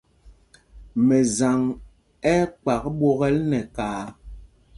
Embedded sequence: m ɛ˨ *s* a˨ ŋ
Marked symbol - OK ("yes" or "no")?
no